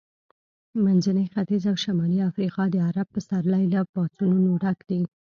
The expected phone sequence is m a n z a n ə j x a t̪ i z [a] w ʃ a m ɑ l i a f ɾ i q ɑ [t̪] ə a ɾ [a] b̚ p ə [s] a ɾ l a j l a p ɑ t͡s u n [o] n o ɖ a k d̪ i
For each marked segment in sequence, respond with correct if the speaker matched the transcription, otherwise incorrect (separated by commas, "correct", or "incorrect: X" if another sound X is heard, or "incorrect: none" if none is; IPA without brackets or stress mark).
correct, incorrect: d̪, correct, correct, incorrect: u